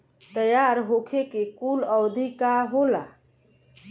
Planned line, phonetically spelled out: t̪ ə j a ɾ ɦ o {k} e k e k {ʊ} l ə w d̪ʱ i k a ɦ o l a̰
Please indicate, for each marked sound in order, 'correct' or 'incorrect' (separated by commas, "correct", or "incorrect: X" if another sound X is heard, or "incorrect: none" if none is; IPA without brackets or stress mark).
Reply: incorrect: kʰ, incorrect: u